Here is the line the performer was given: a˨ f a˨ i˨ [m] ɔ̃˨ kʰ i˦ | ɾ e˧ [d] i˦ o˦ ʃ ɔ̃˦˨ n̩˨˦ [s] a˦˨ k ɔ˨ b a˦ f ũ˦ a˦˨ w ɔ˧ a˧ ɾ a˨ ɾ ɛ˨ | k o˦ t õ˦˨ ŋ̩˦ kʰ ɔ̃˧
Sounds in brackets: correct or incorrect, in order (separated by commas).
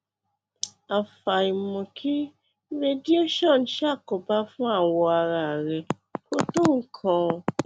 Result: correct, correct, incorrect